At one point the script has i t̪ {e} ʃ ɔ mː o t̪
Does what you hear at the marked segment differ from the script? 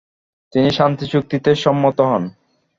no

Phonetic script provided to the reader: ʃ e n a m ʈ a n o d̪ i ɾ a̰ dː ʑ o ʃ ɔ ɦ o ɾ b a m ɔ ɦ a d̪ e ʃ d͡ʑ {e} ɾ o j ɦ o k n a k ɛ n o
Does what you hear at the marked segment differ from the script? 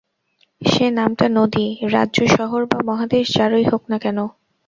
yes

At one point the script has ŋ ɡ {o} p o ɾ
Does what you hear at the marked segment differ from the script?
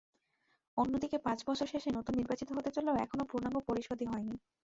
no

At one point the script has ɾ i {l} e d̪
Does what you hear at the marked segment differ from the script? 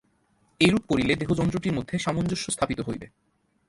no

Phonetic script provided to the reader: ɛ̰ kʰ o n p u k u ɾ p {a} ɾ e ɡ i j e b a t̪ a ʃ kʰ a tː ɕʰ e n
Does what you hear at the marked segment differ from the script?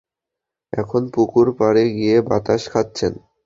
no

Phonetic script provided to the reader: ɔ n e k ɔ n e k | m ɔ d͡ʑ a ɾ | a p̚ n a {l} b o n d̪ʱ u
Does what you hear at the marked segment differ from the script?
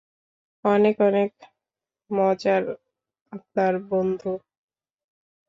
yes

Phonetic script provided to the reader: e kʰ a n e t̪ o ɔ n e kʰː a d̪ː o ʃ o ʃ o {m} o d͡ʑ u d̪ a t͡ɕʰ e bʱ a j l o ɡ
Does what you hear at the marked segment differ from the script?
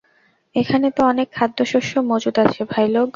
no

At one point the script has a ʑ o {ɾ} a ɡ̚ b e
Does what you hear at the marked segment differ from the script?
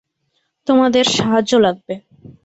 yes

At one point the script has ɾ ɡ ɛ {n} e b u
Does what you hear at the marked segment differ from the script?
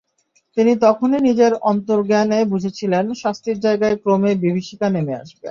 no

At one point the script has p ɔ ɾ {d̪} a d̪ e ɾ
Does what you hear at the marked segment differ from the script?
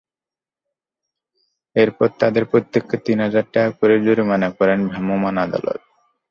yes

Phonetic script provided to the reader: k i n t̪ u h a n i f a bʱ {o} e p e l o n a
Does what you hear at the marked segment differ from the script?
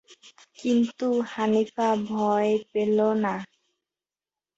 yes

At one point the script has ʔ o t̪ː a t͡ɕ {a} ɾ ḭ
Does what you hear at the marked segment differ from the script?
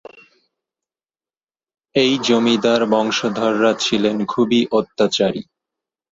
no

